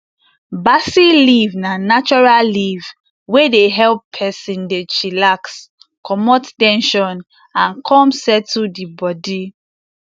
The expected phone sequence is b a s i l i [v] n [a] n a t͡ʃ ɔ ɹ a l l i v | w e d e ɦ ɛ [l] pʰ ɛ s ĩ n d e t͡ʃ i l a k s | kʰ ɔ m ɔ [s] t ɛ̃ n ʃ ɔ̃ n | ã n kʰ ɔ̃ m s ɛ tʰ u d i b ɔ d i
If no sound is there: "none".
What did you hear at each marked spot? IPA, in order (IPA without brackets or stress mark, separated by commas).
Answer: v, a, l, t